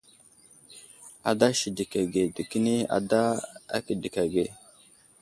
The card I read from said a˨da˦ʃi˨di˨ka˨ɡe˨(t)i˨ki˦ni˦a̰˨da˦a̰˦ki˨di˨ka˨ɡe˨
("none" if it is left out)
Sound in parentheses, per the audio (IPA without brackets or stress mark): d